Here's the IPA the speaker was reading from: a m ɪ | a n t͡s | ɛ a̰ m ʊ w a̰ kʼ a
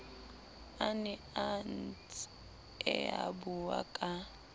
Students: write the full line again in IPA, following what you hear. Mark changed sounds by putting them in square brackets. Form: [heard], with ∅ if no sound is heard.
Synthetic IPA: a [n] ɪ | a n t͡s | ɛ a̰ [b] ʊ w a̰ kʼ a